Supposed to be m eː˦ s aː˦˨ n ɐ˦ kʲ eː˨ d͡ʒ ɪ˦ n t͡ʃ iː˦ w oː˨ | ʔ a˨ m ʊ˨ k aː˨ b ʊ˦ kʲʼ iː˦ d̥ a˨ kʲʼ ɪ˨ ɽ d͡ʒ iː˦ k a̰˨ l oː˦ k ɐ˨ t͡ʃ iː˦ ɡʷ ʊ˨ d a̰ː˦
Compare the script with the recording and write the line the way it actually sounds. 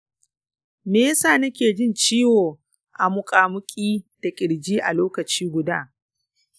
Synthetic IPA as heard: m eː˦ s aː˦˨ n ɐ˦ kʲ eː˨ d͡ʒ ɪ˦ n t͡ʃ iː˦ w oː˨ | ʔ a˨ m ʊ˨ kʼ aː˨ m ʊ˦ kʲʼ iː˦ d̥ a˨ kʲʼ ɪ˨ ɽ d͡ʒ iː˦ ʔ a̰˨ l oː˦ k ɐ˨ t͡ʃ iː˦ ɡʷ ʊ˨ d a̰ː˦